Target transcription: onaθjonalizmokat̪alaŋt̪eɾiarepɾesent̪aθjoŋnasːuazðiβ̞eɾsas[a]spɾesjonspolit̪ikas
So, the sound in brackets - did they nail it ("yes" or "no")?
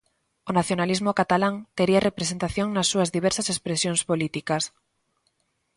no